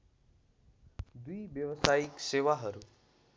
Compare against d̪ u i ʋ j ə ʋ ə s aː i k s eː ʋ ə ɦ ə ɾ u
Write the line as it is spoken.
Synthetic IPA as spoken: d̪ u i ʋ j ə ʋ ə s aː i k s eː ʋ a ɦ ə ɾ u